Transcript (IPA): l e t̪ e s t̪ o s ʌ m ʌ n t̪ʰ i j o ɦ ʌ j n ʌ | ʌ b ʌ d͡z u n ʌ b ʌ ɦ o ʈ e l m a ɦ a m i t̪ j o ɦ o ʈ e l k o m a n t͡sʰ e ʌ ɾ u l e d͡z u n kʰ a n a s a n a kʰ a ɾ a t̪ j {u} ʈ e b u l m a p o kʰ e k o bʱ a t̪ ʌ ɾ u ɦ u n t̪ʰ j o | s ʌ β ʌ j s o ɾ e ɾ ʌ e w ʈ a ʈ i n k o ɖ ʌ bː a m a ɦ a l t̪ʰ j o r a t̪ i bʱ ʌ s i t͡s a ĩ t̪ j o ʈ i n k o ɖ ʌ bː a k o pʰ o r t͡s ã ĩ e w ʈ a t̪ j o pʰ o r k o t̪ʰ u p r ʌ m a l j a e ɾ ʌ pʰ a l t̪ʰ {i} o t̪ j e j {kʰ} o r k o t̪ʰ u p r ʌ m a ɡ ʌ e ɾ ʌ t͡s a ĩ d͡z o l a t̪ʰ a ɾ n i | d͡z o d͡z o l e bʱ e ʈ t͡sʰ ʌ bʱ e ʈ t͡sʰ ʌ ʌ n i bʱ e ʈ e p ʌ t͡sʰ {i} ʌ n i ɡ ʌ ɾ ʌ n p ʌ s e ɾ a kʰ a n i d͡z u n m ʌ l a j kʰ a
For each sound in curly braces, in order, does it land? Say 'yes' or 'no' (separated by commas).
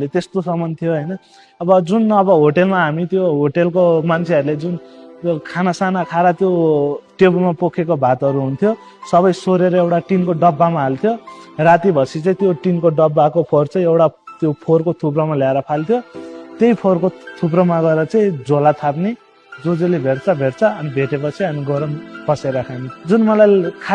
no, no, no, yes